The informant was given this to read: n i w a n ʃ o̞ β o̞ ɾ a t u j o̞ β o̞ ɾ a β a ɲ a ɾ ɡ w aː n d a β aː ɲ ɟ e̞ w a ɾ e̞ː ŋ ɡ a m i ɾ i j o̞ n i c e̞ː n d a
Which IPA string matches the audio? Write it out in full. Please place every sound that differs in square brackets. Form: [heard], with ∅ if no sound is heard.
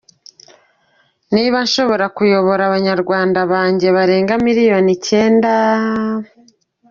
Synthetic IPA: n i [β] a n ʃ o̞ β o̞ ɾ a [k] u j o̞ β o̞ ɾ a β a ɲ a ɾ ɡ w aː n d a β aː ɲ ɟ e̞ [β] a ɾ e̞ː ŋ ɡ a m i ɾ i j o̞ n i c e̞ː n d a

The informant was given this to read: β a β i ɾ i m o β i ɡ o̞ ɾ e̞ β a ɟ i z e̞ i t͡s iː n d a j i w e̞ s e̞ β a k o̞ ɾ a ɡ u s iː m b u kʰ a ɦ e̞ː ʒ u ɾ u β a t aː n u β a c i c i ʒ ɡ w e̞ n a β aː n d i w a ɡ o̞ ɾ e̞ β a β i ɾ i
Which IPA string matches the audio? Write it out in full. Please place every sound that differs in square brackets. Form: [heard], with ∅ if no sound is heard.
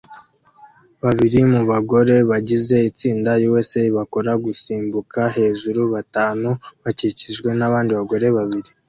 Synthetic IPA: β a β i ɾ i m [u] β [a] ɡ o̞ ɾ e̞ β a ɟ i z e̞ i t͡s iː n d a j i w e̞ s e̞ β a k o̞ ɾ a ɡ u s iː m b u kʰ a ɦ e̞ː ʒ u ɾ u β a t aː n u β a c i c i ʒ ɡ w e̞ n a β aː n d i [β] a ɡ o̞ ɾ e̞ β a β i ɾ i

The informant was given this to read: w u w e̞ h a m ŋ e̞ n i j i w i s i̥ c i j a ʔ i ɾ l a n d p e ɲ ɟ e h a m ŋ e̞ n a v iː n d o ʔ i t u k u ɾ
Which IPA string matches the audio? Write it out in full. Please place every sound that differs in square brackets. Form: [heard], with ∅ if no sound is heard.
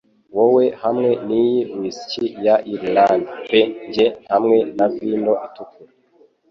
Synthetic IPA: w [o] w e̞ h a m ŋ e̞ n i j i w i s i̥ c i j a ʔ i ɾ l a n d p e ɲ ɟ e h a m ŋ e̞ n a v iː n d o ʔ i t u k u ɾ

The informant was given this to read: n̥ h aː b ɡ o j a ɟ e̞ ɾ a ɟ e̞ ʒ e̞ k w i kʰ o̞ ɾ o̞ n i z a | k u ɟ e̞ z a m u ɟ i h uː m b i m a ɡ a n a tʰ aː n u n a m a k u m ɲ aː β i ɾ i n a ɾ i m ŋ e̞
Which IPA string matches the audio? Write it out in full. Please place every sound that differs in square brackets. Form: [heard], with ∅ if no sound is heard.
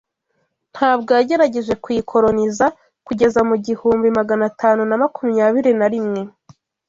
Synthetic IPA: n̥ h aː b ɡ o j a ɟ e̞ ɾ a ɟ e̞ ʒ e̞ k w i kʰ o̞ ɾ o̞ n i z a | k u ɟ e̞ z a m u ɟ i h uː m b i m a ɡ a n a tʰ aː n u n a m a k u m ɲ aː β i ɾ i n a ɾ i m ŋ e̞

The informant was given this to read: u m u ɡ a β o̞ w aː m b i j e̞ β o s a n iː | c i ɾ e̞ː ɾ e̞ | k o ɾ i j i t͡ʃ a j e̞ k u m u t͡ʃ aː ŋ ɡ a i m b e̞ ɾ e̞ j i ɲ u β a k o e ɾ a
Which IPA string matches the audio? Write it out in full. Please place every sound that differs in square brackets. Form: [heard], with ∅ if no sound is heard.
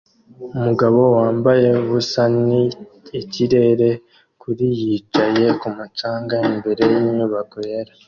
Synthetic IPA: u m u ɡ a β o̞ w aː m b [a] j e̞ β [u] s a n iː | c i ɾ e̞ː ɾ e̞ | k [u] ɾ i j i t͡ʃ a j e̞ k u m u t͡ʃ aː ŋ ɡ a i m b e̞ ɾ e̞ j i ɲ u β a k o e ɾ a

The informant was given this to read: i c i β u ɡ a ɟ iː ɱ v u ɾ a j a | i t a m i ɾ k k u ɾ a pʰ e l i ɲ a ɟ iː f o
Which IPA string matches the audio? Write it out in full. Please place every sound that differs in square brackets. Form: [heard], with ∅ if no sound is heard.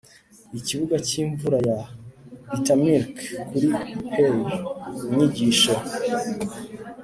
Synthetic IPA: i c i β u ɡ a [c] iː ɱ v u ɾ a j a | i t a m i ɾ k k u ɾ [i] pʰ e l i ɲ [i] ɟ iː [ʃ] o

